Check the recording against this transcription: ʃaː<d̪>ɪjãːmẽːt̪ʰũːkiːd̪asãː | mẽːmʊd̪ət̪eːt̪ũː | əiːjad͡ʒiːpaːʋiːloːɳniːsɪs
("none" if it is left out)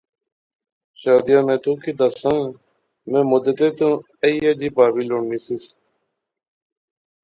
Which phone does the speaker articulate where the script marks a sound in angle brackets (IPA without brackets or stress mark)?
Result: d̪